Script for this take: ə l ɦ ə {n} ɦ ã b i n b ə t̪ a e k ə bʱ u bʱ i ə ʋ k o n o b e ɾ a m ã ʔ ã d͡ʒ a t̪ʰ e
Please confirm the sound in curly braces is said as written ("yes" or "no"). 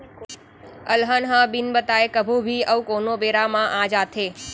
yes